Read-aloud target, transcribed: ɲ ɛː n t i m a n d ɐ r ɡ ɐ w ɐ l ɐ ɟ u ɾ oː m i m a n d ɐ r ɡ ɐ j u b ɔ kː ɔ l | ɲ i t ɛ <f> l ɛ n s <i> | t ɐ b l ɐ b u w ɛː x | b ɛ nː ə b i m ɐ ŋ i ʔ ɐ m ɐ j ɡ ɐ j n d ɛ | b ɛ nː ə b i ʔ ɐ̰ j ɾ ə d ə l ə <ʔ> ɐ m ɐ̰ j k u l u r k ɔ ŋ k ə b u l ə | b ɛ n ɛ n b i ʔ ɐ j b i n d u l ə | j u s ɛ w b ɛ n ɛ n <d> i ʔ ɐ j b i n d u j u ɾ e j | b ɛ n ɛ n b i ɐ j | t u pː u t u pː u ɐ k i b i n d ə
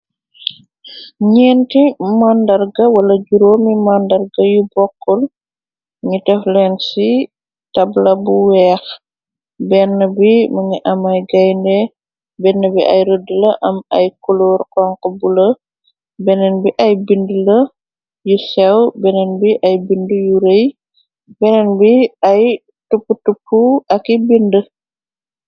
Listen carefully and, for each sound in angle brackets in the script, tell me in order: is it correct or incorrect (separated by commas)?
correct, correct, correct, incorrect